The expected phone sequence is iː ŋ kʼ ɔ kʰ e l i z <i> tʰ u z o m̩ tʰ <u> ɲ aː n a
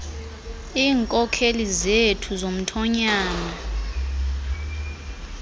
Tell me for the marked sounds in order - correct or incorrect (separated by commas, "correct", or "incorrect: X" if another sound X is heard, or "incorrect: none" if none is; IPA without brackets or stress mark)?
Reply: incorrect: e, incorrect: ɔ